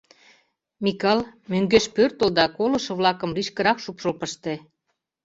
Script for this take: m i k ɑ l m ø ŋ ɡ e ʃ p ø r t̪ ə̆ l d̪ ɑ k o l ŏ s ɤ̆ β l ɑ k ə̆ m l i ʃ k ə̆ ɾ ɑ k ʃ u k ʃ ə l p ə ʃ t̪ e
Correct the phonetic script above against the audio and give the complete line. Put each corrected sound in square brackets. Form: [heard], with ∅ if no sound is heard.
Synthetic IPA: m i k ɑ l m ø ŋ ɡ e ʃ p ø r t̪ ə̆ l d̪ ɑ k o l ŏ [ʃ] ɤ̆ β l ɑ k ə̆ m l i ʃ k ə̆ ɾ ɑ k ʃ u [p] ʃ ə l p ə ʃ t̪ e

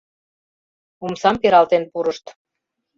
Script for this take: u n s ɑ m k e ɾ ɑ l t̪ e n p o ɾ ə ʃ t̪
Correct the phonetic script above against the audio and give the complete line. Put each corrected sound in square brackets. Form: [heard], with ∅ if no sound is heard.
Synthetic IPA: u [m] s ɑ m [p] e ɾ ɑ l t̪ e n p [u] ɾ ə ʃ t̪

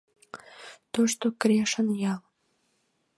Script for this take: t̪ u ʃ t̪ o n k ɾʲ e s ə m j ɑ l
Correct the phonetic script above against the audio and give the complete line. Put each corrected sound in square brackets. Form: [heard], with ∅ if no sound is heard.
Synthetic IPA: t̪ [o] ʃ t̪ o [∅] k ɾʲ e [ʃ] ə [n] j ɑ l

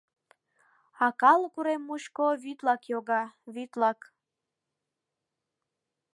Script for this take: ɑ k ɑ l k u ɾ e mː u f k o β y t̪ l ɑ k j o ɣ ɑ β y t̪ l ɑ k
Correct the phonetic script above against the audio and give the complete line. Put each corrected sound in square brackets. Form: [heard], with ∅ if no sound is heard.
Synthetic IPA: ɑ k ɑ l k u ɾ e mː u [ʃ] k o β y t̪ l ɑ k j o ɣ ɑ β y t̪ l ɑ k

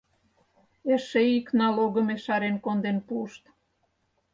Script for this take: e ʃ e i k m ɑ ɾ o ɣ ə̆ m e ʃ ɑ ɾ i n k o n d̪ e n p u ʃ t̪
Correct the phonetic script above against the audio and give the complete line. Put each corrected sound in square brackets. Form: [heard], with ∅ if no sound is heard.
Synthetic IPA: e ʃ e i k [n] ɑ [l] o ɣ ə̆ m e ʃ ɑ ɾ [e] n k o n d̪ e n p u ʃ t̪

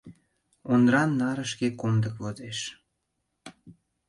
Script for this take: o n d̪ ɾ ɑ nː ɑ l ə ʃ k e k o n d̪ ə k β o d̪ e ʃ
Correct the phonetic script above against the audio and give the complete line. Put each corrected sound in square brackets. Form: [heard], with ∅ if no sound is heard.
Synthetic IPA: o n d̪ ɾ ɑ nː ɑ [ɾ] ə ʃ k e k o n d̪ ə k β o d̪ e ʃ

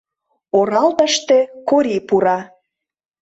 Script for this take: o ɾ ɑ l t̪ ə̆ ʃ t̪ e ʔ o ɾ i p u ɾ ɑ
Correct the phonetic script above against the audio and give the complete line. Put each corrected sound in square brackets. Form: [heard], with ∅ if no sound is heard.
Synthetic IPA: o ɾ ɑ l t̪ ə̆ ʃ t̪ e [k] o ɾ i p u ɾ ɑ

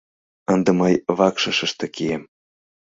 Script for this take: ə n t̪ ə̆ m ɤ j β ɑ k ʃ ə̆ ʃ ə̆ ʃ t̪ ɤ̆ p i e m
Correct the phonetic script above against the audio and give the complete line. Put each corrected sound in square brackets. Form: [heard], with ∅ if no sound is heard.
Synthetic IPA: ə n [d̪] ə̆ m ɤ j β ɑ k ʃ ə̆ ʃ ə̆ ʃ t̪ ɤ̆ [k] i e m

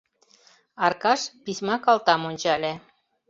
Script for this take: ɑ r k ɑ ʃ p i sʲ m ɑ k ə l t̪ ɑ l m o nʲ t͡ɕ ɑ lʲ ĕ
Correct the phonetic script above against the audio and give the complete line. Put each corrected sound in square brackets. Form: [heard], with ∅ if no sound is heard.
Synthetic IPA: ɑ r k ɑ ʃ p i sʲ m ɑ k [ɑ] l t̪ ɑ [∅] m o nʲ t͡ɕ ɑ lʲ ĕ

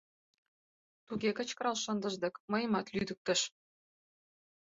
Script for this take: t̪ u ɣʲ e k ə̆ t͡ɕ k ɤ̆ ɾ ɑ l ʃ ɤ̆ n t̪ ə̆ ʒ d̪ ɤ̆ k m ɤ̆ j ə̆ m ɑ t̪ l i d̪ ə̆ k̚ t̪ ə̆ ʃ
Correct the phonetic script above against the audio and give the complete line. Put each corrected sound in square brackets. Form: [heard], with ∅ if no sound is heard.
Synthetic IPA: t̪ u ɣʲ e k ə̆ t͡ɕ k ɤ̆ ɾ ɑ l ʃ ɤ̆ n [d̪] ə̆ ʒ d̪ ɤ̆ k m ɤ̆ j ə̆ m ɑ t̪ l [y] d̪ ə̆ k̚ t̪ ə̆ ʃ

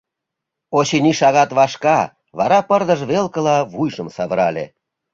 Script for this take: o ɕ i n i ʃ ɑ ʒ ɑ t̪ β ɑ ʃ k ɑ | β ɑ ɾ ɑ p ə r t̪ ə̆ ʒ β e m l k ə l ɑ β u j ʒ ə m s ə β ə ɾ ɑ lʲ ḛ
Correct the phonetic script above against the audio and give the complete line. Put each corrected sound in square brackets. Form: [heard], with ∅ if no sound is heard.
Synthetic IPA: o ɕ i n i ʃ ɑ [ɣ] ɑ t̪ β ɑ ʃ k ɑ | β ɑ ɾ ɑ p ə r [d̪] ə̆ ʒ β e [∅] l k ə l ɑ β u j ʒ ə m s [ɑ] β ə ɾ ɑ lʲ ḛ

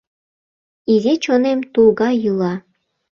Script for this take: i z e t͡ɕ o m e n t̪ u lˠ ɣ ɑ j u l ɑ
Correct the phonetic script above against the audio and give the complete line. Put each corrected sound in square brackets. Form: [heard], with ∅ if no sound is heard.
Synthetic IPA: i z e t͡ɕ o [n] e [m] t̪ u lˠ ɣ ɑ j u l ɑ

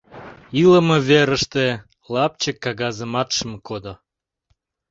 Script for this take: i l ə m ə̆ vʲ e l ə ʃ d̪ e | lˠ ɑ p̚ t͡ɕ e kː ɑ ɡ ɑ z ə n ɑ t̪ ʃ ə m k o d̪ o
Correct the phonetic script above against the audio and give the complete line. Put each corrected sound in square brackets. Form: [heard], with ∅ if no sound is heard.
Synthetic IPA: i l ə m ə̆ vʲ e [ɾ] ə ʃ [t̪] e | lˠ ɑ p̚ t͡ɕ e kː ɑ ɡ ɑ z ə [m] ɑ t̪ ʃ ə m k o d̪ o

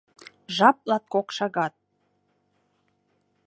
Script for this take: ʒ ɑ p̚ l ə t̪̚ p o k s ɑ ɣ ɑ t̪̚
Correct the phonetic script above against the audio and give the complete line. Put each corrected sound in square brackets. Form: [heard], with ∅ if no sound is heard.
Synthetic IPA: ʒ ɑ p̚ l [ɑ] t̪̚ [k] o k [ʃ] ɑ ɣ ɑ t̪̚

